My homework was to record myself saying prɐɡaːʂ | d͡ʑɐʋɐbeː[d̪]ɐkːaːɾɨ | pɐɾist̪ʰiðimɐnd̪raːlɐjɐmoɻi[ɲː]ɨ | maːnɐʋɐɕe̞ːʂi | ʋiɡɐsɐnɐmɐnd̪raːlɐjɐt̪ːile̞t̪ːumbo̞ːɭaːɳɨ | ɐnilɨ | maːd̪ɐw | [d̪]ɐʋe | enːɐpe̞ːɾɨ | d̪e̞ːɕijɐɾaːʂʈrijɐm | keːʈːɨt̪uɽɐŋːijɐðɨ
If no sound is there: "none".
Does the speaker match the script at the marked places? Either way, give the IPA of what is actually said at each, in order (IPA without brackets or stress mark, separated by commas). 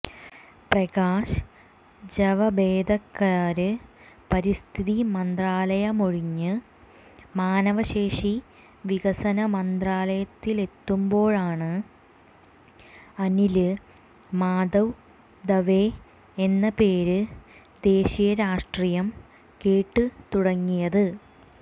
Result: d̪, ɲː, d̪